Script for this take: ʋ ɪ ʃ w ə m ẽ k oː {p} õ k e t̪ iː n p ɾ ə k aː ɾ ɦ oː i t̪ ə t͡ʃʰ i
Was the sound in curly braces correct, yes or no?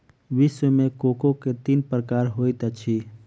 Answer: no